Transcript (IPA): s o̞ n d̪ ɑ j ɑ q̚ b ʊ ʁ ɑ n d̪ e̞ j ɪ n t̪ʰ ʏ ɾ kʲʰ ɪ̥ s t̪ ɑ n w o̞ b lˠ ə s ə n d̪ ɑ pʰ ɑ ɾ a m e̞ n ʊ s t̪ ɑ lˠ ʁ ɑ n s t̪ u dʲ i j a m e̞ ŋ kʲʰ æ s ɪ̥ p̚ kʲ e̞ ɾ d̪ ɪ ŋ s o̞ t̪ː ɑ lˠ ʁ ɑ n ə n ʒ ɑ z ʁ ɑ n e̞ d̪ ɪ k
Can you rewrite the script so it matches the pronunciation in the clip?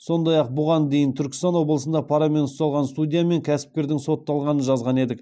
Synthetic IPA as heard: s o̞ n d̪ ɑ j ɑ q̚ b ʊ ʁ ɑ n d̪ e̞ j ɪ n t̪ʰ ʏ ɾ kʲ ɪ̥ s t̪ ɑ n w o̞ b lˠ ə s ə n d̪ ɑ pʰ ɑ ɾ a m e̞ n ʊ s t̪ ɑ lˠ ʁ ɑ n s t̪ u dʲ i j a m e̞ ŋ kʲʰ æ s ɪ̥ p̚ kʲ e̞ ɾ d̪ ɪ ŋ s o̞ t̪ː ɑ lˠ ʁ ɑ n ə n ʒ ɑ z ʁ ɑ n e̞ d̪ ɪ k